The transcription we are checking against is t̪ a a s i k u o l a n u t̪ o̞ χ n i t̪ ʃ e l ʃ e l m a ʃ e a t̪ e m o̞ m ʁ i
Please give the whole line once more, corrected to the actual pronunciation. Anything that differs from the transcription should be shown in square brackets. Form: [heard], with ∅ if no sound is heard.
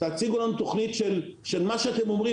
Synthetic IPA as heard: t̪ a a [t͡s] i [ɡ] u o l a n u t̪ o̞ χ n i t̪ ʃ e l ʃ e l m a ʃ e a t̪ e m o̞ m ʁ i